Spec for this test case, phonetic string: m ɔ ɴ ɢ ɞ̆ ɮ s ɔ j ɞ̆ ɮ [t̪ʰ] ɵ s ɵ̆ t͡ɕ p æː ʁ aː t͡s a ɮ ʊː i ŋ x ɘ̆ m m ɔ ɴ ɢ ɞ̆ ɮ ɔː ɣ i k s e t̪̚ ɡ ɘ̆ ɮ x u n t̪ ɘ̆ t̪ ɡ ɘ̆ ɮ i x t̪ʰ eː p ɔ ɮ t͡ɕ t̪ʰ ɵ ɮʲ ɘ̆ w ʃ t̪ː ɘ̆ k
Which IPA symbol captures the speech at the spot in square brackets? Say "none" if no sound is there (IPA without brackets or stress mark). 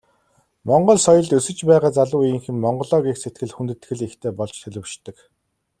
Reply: t̪